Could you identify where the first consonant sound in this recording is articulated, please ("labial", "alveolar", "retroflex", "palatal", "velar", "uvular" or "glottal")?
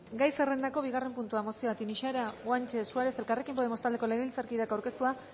velar